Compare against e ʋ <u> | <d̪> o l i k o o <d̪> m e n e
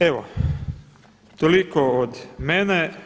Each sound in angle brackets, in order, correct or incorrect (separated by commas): incorrect, incorrect, correct